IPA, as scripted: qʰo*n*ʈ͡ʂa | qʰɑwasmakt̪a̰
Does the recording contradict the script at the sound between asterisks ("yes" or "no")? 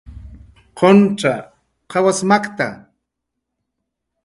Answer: no